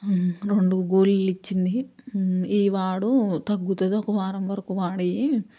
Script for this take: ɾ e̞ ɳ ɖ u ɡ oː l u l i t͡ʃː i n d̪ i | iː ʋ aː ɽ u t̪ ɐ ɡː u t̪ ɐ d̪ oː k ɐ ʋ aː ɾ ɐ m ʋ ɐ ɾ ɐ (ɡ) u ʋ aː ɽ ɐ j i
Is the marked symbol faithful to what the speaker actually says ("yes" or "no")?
no